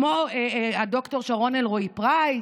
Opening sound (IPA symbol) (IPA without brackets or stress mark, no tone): m